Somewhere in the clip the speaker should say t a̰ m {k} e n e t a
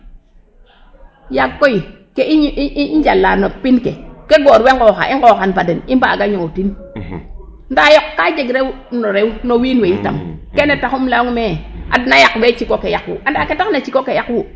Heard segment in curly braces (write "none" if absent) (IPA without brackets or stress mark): k